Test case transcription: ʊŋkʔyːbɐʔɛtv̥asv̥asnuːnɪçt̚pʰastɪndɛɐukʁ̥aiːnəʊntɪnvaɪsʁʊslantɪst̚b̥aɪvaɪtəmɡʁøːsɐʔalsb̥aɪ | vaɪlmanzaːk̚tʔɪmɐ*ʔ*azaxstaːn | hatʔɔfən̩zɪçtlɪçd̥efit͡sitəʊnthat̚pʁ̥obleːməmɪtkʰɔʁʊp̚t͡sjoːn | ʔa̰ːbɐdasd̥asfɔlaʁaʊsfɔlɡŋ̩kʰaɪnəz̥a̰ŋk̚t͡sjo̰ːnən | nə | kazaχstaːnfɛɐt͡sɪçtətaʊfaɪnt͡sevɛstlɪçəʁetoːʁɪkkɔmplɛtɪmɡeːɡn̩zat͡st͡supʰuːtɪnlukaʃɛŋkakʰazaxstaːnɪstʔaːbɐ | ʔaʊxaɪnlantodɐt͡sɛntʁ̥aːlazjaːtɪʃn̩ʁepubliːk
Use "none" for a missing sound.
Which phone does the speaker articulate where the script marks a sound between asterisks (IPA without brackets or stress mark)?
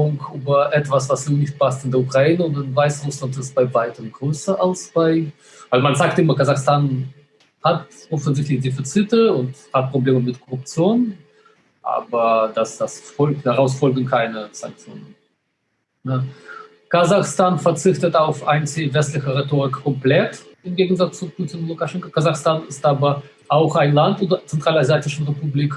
k